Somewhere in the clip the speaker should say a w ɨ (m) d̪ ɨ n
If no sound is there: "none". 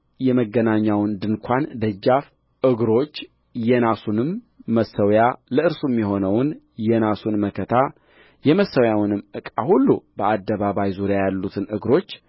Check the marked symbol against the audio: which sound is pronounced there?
n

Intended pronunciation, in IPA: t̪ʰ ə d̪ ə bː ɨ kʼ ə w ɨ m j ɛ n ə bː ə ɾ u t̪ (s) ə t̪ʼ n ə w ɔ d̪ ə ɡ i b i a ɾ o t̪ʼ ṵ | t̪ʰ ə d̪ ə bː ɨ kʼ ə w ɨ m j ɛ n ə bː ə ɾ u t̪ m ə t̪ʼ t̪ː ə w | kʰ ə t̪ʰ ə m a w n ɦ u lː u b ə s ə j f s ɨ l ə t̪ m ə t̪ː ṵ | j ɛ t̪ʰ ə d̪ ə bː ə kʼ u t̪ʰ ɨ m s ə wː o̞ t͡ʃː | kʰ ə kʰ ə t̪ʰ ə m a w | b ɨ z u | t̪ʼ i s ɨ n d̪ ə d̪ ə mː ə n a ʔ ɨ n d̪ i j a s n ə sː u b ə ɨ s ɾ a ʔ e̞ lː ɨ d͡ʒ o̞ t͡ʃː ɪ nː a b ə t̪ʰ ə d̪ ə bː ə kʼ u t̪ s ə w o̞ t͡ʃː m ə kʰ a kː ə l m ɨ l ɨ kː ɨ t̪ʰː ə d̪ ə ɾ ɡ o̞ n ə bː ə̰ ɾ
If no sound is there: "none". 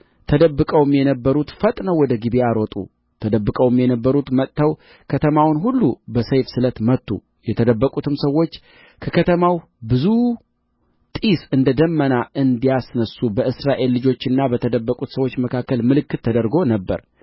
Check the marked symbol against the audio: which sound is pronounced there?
f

